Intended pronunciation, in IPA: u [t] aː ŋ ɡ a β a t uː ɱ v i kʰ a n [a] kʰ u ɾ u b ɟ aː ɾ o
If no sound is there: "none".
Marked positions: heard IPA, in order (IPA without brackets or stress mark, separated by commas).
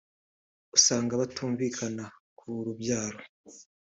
s, a